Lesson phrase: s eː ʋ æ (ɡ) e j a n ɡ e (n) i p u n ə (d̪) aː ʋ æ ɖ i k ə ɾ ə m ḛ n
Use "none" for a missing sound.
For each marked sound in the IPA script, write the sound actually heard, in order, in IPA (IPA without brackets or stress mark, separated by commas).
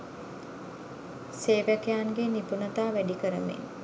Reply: k, n, t̪